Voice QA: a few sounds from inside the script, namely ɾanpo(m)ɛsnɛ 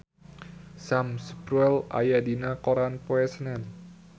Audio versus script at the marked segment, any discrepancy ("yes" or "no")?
yes